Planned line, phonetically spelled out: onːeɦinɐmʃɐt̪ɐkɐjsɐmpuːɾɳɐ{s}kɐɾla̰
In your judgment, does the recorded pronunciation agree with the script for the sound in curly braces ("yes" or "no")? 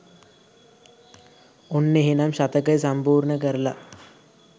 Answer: no